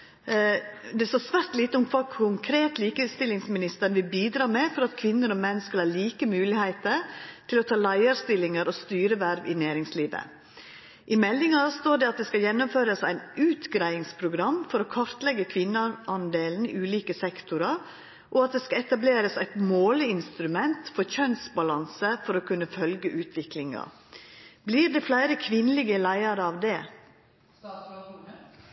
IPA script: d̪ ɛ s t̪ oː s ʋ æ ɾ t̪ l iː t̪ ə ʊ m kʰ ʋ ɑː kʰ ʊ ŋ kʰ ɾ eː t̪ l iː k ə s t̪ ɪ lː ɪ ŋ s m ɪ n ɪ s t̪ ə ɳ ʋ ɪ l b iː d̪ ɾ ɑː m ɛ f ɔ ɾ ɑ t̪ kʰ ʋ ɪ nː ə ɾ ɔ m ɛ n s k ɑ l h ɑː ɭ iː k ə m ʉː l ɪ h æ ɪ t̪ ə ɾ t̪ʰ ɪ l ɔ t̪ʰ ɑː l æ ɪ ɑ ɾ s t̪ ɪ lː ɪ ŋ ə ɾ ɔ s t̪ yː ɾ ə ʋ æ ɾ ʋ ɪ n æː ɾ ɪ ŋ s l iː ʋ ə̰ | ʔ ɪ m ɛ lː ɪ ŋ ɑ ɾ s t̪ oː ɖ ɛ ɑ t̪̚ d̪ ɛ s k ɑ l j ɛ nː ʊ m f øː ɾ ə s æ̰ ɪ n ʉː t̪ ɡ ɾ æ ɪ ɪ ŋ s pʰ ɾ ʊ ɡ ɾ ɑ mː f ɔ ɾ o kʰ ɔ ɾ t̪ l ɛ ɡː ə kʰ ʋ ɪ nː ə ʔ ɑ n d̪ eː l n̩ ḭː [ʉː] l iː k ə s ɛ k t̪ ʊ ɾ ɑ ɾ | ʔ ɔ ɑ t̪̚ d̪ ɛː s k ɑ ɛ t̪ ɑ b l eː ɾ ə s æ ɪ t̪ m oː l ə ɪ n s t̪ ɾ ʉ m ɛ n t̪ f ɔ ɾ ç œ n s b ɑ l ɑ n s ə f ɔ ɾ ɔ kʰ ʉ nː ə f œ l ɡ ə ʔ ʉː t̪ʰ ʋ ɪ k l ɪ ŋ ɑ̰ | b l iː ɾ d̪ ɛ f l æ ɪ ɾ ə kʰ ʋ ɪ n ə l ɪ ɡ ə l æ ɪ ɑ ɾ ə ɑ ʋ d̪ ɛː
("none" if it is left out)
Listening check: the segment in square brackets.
ʉː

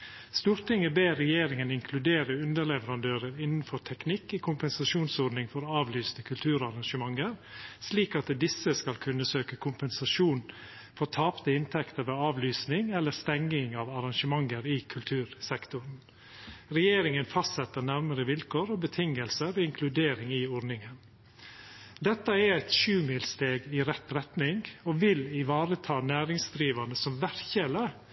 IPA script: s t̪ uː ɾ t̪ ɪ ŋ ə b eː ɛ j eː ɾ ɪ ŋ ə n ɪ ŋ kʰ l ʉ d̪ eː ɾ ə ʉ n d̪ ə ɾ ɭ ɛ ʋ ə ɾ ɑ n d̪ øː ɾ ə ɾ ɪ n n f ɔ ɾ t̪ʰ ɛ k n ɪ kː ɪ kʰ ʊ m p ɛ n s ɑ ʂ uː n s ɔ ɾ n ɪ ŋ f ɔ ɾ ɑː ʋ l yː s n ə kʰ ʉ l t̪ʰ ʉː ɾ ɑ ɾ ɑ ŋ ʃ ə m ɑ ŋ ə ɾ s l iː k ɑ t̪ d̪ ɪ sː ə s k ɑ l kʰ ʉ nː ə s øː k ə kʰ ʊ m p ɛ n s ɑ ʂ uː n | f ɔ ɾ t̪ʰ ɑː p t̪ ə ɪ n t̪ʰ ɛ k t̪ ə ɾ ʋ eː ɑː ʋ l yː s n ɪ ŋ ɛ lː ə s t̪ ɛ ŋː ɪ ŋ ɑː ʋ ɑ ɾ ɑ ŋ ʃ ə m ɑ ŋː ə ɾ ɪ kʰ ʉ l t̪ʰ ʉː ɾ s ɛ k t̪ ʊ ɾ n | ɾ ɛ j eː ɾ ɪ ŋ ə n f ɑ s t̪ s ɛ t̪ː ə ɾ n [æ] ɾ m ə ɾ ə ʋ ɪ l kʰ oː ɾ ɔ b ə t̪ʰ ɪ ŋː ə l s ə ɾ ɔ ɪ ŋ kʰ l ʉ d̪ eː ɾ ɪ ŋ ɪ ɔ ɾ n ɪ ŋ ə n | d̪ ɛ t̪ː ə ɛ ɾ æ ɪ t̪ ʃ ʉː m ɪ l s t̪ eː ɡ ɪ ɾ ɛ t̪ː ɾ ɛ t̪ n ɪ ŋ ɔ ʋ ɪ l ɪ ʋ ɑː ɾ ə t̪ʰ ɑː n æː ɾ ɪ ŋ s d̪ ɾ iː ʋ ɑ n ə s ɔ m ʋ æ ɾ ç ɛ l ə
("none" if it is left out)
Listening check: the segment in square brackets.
æ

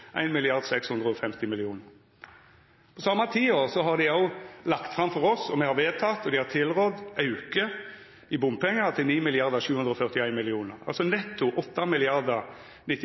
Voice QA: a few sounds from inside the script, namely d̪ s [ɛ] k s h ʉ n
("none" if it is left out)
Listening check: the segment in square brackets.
ɛ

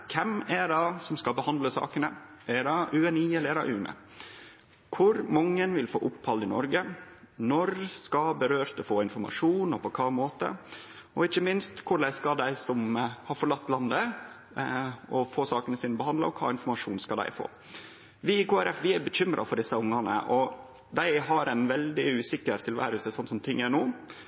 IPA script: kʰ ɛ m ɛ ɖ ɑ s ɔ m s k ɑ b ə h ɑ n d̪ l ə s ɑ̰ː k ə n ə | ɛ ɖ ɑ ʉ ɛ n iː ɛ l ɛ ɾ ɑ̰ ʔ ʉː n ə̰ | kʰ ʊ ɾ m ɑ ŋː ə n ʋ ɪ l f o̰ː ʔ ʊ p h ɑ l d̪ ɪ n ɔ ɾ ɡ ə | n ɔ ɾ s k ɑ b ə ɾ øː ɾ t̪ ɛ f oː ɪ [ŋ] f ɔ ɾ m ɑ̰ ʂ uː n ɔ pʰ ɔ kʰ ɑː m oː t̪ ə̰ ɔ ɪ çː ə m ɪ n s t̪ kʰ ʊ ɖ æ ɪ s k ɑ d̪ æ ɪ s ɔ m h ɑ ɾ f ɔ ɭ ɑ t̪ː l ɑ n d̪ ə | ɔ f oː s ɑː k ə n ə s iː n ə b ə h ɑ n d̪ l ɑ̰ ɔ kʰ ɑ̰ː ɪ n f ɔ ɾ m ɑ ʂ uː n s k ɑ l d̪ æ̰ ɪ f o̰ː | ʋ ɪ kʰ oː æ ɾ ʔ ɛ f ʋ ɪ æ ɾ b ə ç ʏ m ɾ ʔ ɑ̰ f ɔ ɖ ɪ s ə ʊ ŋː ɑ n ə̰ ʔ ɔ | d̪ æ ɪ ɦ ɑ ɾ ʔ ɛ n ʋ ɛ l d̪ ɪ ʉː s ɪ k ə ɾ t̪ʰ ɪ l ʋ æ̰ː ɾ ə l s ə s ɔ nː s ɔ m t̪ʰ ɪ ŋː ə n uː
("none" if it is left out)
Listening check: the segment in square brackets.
n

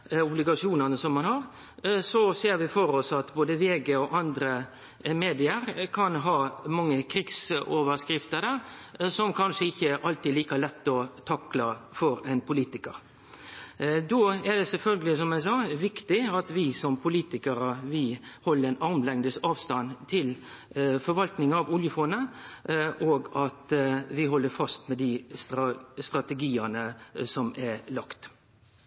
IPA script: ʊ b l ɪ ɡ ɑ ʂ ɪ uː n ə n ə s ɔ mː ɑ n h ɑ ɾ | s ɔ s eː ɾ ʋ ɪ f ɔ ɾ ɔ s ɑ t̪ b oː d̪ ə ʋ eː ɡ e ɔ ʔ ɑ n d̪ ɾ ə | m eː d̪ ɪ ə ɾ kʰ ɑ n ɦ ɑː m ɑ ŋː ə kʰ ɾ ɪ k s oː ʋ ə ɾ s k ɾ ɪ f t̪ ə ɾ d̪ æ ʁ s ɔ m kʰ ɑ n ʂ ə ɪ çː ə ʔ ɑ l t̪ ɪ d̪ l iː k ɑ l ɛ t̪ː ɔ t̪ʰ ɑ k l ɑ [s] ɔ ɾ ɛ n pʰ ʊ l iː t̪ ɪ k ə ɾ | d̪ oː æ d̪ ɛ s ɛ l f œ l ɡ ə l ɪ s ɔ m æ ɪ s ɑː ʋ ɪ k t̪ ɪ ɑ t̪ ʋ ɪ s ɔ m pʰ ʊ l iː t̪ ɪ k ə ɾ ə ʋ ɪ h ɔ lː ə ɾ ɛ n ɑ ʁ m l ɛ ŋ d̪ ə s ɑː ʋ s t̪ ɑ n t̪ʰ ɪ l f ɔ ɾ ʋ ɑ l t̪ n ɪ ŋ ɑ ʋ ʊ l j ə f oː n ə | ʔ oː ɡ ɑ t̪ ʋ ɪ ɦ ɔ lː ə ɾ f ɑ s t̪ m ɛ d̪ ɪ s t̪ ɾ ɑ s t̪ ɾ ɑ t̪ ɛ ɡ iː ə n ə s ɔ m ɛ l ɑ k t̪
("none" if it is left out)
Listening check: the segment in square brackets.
f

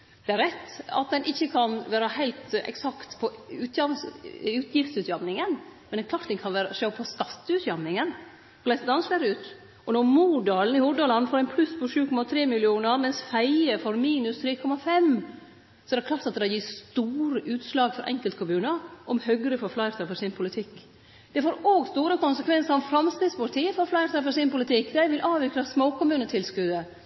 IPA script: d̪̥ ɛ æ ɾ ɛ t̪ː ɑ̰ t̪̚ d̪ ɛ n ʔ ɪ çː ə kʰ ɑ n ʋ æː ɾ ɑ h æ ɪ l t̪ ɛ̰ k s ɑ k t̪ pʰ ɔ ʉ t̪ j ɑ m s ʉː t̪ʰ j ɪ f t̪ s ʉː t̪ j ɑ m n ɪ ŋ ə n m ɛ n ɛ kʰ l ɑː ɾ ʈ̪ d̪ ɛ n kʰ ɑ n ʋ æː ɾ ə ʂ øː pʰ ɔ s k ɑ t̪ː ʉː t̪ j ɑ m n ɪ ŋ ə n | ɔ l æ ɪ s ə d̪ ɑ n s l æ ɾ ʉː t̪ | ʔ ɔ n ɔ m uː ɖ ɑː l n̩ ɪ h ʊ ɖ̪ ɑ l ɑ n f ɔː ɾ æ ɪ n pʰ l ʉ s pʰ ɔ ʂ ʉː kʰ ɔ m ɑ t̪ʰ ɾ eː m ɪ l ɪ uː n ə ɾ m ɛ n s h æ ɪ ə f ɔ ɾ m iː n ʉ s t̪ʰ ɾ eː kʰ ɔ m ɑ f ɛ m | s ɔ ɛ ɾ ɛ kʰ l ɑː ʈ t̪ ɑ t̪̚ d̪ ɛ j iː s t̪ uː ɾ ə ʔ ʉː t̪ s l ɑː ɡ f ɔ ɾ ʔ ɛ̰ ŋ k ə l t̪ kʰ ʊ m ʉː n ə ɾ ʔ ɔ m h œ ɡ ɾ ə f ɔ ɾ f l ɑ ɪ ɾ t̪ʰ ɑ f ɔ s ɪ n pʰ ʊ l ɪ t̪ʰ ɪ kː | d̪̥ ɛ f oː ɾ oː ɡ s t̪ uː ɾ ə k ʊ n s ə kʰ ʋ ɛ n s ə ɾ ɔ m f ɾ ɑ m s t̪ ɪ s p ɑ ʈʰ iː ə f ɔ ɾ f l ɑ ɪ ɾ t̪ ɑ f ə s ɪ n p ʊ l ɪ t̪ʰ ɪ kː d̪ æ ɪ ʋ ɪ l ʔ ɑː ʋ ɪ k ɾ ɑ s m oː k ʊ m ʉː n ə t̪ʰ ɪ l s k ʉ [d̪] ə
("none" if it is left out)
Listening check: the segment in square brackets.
d̪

